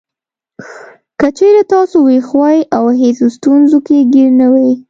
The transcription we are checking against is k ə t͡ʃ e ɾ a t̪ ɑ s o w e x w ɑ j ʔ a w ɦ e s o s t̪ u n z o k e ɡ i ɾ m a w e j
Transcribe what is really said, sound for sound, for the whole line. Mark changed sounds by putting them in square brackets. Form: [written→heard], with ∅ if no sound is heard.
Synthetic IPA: k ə t͡ʃ e ɾ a t̪ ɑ s o w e x w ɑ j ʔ a w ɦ e s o s t̪ u n z o k e ɡ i ɾ [m→n] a w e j